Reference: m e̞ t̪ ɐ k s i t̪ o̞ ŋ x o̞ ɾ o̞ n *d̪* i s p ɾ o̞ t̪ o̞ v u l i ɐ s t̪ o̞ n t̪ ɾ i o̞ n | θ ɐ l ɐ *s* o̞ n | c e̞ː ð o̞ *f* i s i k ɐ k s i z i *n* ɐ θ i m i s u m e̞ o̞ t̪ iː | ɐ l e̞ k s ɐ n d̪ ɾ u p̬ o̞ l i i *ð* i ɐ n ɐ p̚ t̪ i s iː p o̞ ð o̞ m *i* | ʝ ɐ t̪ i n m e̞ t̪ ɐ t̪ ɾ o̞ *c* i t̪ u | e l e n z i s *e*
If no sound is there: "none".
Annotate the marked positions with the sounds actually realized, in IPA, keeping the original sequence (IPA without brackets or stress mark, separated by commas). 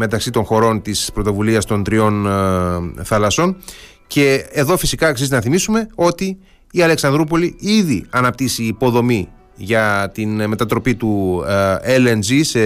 t̪, s, f, n, ð, i, p, e